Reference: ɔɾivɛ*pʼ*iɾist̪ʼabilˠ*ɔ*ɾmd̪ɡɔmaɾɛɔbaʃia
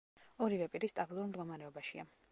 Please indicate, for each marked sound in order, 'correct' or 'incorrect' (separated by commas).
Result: correct, incorrect